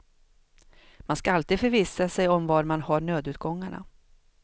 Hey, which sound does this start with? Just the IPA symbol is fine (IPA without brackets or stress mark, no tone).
m